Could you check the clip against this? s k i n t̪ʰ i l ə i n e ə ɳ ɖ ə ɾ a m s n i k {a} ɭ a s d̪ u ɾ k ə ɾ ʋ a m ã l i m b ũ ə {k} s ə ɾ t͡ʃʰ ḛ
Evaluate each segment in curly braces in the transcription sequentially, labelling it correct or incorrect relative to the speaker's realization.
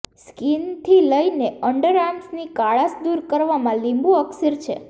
correct, correct

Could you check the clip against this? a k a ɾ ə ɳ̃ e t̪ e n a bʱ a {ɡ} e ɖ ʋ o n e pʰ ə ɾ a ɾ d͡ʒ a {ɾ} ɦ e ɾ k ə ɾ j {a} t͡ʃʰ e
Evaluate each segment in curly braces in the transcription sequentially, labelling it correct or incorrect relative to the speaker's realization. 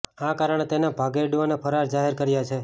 correct, incorrect, correct

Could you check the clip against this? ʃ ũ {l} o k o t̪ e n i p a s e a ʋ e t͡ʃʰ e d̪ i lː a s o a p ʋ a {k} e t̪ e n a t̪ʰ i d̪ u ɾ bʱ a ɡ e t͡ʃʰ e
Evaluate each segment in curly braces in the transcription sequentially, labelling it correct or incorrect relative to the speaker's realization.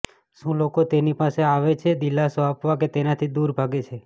correct, correct

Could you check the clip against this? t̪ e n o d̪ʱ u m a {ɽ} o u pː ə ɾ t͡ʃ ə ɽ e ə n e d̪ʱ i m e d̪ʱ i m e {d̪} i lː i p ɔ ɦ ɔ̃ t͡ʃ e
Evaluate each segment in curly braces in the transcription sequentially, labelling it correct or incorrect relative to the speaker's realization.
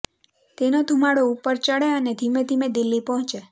correct, correct

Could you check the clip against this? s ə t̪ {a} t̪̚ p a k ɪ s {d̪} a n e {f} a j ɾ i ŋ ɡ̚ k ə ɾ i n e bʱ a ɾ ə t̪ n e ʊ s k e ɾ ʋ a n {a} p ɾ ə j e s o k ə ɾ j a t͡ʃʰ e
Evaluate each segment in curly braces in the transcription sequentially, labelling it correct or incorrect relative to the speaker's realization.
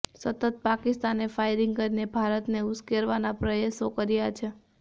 incorrect, incorrect, correct, correct

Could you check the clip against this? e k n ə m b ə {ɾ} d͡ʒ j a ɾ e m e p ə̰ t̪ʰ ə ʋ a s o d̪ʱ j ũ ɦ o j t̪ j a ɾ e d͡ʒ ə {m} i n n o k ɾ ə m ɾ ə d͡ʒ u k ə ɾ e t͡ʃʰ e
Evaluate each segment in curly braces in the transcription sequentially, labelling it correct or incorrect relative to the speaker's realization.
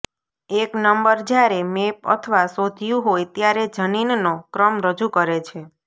correct, incorrect

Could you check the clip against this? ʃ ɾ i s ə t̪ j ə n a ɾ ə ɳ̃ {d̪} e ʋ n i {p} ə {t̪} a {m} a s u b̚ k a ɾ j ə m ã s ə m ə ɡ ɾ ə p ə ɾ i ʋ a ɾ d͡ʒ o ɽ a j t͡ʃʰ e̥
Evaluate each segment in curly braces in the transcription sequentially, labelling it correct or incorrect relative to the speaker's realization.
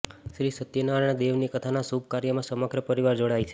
correct, incorrect, incorrect, incorrect

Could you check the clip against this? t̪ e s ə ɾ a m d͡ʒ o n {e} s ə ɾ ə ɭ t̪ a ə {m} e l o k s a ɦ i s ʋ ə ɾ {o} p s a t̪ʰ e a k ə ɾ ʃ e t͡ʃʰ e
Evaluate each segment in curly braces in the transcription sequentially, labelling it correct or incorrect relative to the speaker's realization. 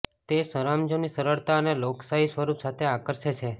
incorrect, incorrect, incorrect

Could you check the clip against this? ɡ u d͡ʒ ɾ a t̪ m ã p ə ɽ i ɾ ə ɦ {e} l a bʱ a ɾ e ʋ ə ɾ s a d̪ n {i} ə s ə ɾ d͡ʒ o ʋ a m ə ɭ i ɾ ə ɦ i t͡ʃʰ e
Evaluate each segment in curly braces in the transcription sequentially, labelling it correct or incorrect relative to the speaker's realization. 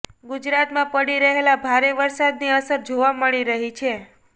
correct, correct

